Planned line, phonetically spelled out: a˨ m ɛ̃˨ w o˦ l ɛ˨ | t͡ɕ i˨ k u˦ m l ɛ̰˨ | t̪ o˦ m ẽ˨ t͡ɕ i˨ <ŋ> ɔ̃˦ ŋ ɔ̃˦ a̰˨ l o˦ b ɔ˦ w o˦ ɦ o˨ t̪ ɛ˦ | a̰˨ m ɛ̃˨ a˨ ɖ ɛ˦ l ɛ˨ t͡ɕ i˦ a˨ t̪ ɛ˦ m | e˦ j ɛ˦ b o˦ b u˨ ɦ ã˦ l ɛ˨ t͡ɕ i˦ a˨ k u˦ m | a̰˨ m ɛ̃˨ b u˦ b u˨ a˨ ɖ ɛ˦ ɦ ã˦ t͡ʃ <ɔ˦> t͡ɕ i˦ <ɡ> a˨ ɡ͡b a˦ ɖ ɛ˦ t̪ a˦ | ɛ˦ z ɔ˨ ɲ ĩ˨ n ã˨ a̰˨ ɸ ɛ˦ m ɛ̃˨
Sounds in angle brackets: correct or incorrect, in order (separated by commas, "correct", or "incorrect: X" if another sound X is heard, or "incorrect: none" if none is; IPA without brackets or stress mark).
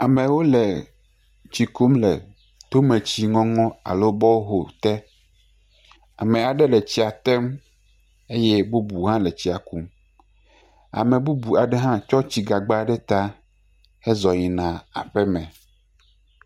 correct, correct, correct